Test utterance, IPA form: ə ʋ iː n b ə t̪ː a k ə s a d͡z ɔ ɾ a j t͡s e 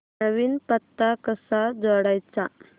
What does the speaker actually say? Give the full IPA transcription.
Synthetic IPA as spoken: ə ʋ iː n p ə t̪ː a k ə s a d͡z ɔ ɽ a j t͡s a